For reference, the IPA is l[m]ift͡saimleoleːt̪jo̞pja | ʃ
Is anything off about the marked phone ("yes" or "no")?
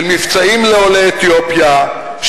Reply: no